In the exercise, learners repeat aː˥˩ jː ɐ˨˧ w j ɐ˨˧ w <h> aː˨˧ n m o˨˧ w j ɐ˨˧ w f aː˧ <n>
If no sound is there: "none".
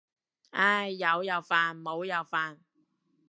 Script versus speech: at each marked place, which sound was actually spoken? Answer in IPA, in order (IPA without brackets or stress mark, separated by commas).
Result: f, n